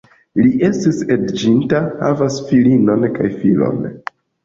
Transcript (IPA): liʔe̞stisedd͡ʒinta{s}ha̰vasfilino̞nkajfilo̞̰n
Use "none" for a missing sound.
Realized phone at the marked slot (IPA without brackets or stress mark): none